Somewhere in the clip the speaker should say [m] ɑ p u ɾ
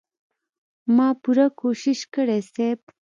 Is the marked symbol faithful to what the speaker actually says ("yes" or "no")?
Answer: yes